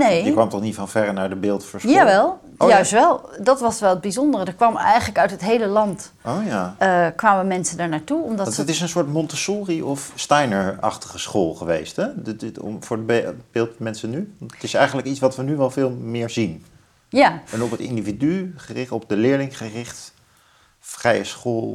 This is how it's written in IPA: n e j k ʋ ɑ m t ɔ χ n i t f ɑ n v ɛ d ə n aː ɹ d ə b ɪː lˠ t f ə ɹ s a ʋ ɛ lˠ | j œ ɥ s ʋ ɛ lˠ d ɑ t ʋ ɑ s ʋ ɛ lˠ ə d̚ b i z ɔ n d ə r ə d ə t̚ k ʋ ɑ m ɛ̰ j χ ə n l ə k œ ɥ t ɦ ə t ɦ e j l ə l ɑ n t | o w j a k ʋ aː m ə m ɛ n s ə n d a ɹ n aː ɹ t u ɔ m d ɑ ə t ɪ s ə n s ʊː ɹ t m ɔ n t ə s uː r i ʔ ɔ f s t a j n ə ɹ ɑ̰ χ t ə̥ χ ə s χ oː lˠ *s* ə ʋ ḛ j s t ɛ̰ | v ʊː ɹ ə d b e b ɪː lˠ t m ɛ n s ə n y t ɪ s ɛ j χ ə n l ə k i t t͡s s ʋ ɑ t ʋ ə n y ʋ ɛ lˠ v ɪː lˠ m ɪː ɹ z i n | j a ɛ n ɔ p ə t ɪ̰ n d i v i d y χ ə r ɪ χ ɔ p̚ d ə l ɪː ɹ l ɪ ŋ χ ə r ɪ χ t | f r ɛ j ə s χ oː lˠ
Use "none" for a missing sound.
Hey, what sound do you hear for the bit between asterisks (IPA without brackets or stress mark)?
χ